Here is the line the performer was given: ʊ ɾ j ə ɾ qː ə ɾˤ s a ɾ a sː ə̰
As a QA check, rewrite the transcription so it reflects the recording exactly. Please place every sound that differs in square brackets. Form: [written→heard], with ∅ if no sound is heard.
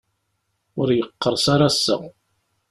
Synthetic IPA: ʊ ɾ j ə [ɾ→∅] qː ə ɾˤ s a ɾ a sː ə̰